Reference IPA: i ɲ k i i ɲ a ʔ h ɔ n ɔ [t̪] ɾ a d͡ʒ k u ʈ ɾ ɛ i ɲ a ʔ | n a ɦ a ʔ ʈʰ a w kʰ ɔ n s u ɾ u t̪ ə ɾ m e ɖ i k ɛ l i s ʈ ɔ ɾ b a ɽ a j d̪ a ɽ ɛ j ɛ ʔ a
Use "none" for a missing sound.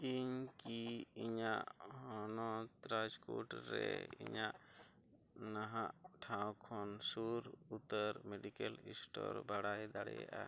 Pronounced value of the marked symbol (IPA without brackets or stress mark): t̪